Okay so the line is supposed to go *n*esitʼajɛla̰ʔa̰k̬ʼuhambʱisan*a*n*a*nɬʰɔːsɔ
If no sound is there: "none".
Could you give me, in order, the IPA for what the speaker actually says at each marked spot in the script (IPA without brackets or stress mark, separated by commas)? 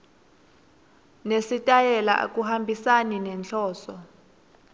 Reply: n, i, ɛ